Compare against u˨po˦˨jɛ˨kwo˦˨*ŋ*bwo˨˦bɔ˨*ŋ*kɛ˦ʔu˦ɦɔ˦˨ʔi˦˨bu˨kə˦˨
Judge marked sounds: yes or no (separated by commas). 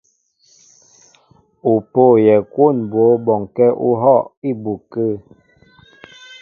no, yes